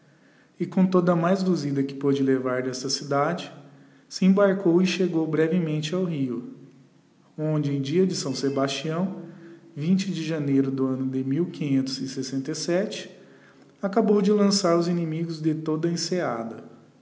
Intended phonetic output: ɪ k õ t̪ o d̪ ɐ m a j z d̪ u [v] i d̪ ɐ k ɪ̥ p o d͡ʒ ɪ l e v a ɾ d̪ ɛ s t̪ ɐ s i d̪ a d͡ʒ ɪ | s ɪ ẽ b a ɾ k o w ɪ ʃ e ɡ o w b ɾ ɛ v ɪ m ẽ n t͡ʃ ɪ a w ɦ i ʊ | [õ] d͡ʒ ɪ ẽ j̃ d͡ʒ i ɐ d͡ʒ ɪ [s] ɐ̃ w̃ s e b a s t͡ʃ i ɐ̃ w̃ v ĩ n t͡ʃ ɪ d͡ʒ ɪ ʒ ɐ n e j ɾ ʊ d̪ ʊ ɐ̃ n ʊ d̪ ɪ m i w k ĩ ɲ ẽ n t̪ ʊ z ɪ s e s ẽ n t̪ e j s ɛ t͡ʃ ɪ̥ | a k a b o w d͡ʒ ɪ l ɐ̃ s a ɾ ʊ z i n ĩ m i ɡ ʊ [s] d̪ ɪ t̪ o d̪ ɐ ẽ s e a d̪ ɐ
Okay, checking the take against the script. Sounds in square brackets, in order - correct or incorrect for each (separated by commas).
incorrect, correct, correct, incorrect